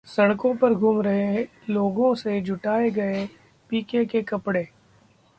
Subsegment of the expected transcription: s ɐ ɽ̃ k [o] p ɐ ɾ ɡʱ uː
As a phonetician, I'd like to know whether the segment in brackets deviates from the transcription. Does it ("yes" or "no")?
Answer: yes